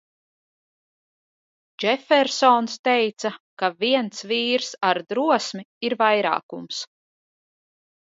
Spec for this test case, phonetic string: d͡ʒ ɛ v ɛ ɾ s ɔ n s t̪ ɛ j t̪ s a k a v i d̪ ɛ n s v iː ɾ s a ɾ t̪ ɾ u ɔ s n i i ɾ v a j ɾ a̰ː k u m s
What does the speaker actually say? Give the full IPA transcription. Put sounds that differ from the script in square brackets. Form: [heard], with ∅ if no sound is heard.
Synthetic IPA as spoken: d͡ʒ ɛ [f] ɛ ɾ s ɔ n s t̪ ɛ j t̪ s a k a v i [∅] ɛ n s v iː ɾ s a ɾ [d̪] ɾ u ɔ s [m] i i ɾ v a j ɾ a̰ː k u m s